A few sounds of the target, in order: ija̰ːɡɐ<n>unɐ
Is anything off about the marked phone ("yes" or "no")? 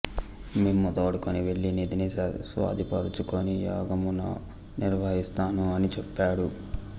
yes